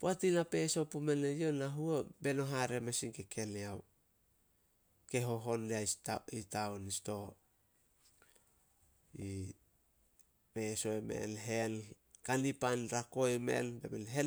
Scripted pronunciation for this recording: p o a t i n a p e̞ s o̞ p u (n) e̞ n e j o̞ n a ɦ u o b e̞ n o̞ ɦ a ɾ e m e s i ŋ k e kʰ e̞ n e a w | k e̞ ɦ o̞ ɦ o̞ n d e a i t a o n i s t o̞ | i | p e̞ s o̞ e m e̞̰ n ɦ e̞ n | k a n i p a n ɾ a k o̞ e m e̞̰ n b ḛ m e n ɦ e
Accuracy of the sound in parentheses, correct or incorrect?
incorrect: m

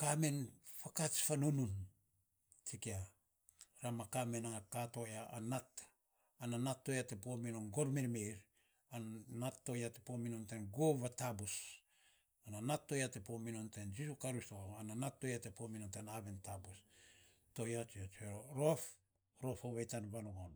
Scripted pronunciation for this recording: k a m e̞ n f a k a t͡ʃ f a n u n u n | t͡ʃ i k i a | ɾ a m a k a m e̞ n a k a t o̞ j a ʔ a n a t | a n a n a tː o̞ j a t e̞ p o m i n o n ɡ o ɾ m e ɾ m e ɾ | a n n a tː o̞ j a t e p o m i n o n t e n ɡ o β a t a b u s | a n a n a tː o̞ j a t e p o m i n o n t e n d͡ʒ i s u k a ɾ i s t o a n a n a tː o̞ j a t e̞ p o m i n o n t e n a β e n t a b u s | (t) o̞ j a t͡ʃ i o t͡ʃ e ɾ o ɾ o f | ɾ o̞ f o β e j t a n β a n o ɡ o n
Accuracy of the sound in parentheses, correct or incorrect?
correct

